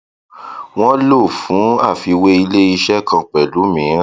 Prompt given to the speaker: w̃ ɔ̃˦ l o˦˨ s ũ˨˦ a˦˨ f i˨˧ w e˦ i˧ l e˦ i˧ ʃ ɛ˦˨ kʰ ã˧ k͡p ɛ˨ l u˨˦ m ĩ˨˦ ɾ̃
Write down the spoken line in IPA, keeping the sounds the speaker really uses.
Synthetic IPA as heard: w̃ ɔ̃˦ l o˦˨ f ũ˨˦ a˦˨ f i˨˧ w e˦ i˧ l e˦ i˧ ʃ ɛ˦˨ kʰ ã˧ k͡p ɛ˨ l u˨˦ m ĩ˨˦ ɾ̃